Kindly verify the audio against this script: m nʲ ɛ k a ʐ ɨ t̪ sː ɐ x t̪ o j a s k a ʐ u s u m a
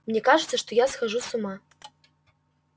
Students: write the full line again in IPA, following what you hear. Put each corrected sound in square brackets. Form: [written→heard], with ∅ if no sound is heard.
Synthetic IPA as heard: m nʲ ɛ k a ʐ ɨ t̪ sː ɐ [x→ʂ] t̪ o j a s [k→x] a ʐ u s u m a